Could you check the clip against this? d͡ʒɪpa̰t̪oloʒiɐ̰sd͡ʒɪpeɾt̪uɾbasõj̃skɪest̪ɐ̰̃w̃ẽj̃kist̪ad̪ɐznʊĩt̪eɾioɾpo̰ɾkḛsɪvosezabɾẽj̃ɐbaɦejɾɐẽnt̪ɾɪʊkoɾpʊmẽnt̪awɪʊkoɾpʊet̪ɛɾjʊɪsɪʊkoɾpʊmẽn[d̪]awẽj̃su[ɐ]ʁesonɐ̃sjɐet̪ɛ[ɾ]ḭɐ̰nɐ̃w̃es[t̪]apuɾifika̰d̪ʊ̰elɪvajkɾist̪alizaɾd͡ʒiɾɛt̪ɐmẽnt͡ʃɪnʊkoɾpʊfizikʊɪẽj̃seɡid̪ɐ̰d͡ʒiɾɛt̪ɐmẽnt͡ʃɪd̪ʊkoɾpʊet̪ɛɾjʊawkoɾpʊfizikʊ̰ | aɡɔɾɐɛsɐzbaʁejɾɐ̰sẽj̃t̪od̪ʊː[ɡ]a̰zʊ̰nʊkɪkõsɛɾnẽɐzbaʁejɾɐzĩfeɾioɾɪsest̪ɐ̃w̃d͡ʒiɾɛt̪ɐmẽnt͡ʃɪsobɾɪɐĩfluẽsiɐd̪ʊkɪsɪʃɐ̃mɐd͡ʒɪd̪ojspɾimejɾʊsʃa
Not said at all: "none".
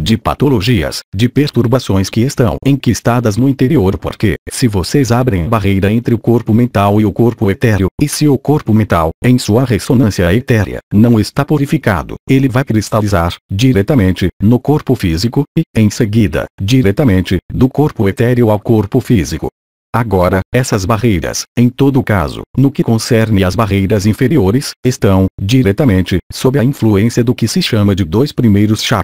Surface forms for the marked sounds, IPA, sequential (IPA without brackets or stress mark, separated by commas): t̪, ɐ, ɾ, t̪, k